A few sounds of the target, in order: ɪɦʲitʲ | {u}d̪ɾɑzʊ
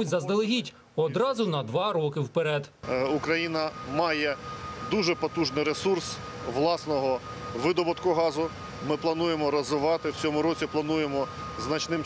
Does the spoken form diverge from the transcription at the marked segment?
yes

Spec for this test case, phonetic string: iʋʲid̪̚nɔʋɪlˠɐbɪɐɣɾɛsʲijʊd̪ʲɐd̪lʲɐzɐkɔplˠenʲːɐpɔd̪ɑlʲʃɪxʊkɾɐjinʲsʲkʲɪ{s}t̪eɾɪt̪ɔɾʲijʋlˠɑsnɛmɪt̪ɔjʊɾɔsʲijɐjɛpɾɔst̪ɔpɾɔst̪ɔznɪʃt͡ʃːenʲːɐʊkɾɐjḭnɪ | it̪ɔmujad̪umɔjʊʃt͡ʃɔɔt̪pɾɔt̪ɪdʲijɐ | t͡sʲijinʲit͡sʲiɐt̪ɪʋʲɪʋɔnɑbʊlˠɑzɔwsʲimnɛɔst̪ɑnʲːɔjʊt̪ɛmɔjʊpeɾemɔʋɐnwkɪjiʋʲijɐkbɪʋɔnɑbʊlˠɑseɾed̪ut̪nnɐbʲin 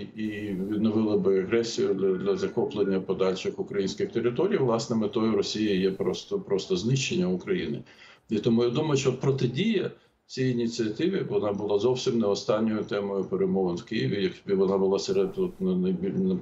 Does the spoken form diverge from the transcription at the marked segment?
yes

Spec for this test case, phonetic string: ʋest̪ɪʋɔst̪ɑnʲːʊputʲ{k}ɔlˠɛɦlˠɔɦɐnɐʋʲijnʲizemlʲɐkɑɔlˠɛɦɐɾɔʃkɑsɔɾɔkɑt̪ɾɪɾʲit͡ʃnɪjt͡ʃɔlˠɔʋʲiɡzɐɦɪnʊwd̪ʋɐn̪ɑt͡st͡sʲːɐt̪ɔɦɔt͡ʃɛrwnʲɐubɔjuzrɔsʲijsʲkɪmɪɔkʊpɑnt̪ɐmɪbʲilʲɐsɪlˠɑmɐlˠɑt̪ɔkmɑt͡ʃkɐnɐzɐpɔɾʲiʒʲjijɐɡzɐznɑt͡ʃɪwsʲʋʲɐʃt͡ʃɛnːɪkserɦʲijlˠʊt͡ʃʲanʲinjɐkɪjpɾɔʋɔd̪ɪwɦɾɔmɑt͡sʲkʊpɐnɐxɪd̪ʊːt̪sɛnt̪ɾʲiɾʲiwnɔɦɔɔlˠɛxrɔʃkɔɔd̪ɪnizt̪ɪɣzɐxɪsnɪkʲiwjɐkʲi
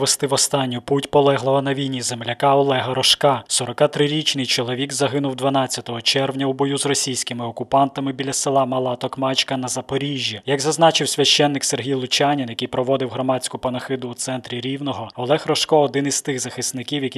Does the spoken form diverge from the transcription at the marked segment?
yes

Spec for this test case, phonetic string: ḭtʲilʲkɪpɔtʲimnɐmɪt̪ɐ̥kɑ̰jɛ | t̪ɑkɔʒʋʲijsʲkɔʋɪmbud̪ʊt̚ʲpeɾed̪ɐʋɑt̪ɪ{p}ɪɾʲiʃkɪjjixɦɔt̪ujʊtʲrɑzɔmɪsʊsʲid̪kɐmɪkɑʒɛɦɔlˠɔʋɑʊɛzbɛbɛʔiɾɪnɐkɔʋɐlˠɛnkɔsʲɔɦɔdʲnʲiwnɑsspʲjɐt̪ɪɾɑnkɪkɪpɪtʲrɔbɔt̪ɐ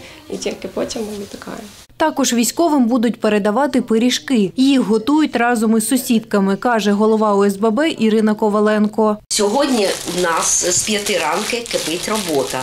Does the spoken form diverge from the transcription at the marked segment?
no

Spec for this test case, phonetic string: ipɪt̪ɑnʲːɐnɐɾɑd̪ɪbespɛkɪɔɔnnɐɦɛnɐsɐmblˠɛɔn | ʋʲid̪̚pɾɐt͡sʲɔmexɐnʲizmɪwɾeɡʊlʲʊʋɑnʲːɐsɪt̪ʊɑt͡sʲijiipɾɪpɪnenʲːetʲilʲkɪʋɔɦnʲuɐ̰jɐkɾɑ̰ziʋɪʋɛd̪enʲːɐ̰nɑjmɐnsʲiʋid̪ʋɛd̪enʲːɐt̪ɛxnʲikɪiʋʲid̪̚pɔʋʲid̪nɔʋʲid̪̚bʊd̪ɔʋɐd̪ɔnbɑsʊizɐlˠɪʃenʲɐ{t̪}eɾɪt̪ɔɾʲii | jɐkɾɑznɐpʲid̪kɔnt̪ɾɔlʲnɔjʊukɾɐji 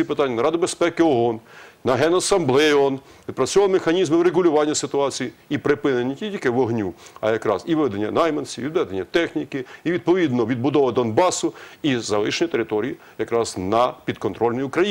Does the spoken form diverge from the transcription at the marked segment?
no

